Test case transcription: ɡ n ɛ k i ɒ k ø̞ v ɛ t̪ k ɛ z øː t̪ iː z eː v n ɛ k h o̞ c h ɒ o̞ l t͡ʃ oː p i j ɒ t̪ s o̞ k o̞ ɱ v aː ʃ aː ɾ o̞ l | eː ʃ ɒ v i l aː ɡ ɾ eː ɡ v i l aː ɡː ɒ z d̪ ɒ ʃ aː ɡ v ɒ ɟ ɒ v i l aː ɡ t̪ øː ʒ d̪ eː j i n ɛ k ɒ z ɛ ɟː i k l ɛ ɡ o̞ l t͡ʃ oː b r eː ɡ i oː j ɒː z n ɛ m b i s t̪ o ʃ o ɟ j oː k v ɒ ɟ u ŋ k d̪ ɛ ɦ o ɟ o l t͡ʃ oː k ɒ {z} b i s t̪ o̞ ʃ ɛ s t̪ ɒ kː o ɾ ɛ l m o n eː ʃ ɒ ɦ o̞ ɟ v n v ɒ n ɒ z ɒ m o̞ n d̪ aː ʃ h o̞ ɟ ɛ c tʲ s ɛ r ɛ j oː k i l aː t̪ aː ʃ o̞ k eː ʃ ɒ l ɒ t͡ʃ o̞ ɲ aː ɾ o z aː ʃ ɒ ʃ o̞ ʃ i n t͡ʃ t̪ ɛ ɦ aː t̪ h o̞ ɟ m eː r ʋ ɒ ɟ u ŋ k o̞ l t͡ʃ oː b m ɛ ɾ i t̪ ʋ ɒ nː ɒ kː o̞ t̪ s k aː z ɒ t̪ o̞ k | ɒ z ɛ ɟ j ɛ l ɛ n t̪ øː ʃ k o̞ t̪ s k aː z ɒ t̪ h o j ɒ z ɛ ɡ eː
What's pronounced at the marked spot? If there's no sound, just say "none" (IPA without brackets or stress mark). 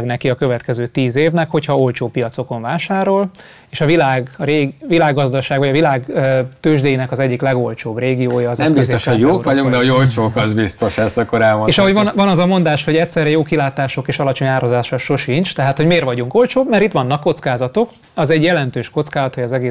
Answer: z